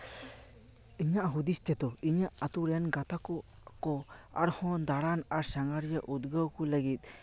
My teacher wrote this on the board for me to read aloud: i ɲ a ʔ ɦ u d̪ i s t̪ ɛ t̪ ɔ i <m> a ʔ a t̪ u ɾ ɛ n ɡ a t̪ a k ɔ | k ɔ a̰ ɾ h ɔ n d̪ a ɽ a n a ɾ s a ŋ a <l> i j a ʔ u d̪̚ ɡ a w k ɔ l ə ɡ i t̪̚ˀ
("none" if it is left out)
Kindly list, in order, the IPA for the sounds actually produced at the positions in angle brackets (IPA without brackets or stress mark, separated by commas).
ɲ, ɾ